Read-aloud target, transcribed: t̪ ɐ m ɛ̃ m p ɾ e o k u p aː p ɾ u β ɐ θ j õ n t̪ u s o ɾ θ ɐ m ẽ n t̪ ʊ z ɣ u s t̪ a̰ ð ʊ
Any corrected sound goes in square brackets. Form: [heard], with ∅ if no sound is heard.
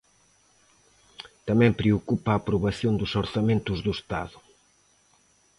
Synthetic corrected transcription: t̪ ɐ m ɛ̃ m p ɾ e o k u p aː p ɾ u β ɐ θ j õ n [d̪] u s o ɾ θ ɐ m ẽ n t̪ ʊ z [ð] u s t̪ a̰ ð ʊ